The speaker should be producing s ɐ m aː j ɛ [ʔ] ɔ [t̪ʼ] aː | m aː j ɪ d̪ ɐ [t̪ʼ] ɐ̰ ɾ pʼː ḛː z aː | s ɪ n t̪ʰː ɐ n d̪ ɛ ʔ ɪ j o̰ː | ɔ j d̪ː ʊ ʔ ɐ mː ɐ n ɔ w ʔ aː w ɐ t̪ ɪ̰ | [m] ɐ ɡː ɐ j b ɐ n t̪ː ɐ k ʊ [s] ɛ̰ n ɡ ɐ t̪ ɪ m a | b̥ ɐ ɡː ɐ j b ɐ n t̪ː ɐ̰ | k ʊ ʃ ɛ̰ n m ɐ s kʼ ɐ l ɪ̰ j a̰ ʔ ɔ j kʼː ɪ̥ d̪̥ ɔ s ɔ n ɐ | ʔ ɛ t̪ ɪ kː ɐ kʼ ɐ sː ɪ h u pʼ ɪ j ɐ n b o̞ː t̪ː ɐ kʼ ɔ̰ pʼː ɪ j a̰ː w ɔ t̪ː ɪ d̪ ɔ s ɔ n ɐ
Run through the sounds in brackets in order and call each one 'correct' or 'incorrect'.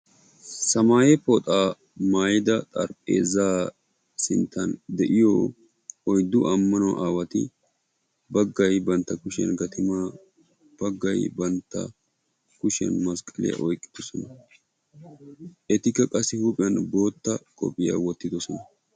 incorrect, correct, correct, incorrect, incorrect

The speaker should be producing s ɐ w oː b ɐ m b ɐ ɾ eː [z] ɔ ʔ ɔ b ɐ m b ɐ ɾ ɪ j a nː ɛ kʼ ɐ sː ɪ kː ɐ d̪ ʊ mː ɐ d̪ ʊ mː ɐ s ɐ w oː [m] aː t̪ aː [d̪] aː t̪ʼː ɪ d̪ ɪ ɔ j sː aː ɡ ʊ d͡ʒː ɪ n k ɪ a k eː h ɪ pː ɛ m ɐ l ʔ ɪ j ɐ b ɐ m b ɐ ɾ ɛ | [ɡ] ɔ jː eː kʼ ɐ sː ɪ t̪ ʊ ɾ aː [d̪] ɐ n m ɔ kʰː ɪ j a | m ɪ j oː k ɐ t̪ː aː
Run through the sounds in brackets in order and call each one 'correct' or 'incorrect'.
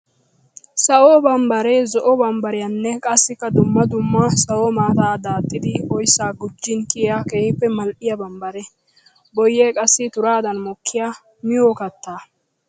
correct, correct, correct, incorrect, correct

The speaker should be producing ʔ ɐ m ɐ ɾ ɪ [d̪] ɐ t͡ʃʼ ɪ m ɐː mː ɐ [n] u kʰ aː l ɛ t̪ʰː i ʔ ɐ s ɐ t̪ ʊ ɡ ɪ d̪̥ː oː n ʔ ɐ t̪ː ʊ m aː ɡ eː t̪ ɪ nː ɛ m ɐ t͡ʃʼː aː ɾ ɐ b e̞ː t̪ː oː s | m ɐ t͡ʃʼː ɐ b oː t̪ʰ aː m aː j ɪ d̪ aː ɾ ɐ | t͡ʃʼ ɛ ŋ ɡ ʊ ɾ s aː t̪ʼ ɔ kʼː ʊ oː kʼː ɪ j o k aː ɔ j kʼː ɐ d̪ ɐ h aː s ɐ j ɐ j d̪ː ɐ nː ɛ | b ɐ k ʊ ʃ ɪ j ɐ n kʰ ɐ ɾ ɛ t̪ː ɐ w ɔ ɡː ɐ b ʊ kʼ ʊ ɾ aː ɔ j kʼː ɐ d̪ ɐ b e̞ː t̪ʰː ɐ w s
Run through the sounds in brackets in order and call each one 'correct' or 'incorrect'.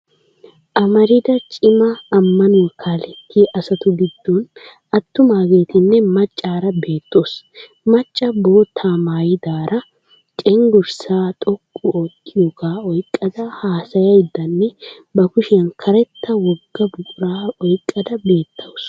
correct, correct

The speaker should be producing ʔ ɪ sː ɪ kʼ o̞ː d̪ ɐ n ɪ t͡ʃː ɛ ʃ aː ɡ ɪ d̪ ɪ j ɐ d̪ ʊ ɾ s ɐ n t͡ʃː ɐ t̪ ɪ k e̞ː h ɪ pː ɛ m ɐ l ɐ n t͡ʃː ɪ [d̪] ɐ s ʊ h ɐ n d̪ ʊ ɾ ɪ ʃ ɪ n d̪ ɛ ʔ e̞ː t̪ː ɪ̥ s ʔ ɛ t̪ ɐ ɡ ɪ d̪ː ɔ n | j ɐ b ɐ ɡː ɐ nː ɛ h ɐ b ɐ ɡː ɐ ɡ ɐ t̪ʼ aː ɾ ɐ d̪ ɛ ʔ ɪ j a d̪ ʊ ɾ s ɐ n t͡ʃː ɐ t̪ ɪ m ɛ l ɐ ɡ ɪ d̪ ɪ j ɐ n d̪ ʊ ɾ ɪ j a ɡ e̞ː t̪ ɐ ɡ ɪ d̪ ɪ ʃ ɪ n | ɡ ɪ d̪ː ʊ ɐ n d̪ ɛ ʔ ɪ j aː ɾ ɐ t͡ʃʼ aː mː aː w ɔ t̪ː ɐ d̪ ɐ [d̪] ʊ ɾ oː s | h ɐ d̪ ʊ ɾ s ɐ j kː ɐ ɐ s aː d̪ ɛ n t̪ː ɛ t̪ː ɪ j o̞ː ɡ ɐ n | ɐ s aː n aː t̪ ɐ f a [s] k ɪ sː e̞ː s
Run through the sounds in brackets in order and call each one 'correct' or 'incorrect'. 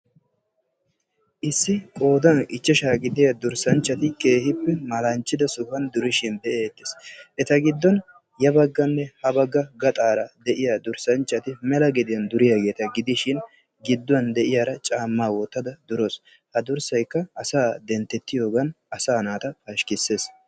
correct, correct, incorrect

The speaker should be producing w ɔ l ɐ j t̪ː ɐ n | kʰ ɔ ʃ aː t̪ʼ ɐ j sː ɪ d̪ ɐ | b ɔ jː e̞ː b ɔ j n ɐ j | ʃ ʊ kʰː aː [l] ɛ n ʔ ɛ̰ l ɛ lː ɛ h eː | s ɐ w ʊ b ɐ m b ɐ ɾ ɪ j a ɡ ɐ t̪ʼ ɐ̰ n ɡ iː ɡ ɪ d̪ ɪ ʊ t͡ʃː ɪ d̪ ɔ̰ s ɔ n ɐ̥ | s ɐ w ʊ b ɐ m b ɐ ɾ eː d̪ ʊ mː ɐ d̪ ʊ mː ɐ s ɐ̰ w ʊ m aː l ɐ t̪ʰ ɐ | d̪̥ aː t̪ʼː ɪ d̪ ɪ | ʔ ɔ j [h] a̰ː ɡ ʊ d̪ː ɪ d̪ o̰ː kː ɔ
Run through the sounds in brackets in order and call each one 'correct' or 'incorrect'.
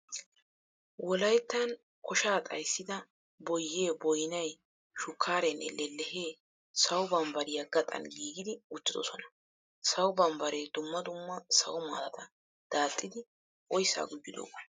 incorrect, incorrect

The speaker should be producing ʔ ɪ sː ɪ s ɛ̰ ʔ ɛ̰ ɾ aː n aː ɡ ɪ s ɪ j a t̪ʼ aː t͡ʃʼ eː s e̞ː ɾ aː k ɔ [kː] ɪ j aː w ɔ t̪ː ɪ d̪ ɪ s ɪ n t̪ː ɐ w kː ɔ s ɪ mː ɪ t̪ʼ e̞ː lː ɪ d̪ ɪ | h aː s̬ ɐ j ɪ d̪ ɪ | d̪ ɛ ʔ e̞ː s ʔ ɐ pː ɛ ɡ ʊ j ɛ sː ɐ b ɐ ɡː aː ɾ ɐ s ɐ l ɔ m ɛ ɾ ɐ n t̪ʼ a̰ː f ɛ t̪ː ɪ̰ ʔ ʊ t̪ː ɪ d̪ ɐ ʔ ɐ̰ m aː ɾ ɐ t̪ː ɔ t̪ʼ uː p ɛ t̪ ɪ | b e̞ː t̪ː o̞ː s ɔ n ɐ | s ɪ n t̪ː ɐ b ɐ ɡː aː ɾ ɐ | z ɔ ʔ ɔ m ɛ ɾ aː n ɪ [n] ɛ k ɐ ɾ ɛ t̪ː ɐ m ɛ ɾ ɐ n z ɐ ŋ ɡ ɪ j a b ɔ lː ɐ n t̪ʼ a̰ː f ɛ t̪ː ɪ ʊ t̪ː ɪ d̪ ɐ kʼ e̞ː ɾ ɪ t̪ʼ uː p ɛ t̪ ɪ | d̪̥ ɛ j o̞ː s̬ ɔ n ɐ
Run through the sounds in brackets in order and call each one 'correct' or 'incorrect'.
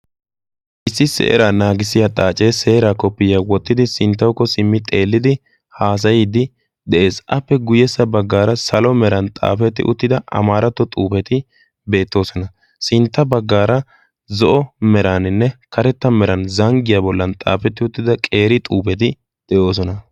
incorrect, incorrect

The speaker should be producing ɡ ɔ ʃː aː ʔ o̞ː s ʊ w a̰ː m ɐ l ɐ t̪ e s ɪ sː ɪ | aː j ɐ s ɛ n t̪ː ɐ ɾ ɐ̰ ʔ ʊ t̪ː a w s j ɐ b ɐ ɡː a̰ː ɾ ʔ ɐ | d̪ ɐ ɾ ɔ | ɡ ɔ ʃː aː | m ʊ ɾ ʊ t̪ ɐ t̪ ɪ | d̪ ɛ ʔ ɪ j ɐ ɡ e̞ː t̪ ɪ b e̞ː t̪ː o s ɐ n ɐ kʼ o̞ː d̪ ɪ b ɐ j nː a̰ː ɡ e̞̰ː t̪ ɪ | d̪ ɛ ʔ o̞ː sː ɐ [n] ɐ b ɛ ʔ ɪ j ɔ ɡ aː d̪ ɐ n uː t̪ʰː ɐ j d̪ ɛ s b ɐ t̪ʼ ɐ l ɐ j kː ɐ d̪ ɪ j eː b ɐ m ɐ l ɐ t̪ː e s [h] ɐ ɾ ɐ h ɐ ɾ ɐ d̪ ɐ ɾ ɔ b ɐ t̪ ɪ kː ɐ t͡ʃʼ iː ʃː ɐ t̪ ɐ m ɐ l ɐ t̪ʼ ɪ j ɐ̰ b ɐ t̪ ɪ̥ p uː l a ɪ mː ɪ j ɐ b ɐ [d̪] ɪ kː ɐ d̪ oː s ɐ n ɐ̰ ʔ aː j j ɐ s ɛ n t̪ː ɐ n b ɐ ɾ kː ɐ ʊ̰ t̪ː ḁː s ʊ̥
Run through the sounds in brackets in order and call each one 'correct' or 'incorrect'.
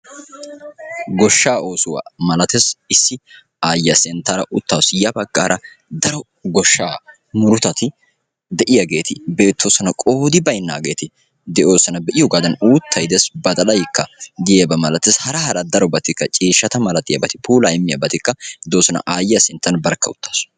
correct, correct, incorrect

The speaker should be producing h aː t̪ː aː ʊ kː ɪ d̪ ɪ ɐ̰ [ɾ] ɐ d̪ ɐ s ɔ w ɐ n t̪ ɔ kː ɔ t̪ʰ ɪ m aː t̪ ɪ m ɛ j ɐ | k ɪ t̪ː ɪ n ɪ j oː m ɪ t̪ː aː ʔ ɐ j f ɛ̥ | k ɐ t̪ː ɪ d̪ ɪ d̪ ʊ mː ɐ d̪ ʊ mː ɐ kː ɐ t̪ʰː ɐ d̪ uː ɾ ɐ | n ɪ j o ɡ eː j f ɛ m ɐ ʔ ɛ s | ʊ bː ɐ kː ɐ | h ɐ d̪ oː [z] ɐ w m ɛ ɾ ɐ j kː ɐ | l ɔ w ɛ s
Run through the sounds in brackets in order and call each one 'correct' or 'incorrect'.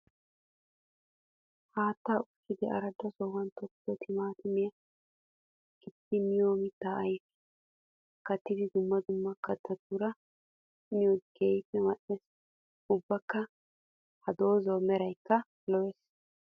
correct, correct

